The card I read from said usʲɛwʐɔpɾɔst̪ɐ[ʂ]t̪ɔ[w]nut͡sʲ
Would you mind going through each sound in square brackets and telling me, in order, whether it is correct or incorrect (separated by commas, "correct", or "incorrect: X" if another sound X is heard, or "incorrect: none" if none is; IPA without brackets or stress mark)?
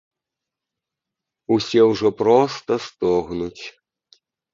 incorrect: s, incorrect: ɣ